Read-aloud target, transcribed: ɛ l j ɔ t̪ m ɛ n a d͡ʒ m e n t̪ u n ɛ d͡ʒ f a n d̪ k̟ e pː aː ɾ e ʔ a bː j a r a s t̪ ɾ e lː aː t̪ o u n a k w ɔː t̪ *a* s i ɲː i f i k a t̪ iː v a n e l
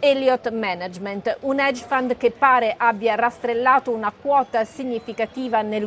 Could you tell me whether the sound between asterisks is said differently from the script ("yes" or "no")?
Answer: no